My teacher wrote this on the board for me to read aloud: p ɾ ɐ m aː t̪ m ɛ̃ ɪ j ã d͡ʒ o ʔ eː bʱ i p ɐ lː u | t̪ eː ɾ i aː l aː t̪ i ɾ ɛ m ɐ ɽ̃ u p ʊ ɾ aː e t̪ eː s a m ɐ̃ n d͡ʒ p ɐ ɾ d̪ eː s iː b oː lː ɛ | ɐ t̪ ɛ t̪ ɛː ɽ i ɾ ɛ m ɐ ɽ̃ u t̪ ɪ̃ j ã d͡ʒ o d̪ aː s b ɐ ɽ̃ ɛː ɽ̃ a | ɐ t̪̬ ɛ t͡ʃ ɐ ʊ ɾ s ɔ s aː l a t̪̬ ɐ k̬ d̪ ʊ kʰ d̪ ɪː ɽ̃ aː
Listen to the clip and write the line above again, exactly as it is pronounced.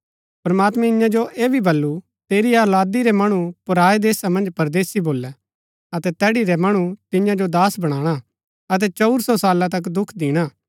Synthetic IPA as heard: p ɾ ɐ m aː t̪ m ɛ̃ ɪ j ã d͡ʒ o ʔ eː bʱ i b ɐ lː u | t̪ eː ɾ i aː l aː d̪ i ɾ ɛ m ɐ ɽ̃ u p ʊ ɾ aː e d̪ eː s a m ɐ̃ n d͡ʒ p ɐ ɾ d̪ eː s i b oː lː ɛ | ɐ t̪ ɛ t̪ ɛː ɽ i ɾ ɛ m ɐ ɽ̃ u t̪ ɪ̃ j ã d͡ʒ o d̪ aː s b ɐ ɽ̃ aː ɽ̃ a | ɐ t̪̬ ɛ t͡ʃ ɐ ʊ ɾ s ɔ s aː l a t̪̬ ɐ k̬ d̪ ʊ kʰ d̪ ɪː ɽ̃ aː